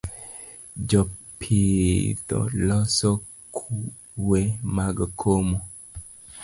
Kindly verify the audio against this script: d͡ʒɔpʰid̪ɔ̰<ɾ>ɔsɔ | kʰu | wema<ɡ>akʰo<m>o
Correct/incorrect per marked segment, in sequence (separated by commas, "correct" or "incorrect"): incorrect, correct, correct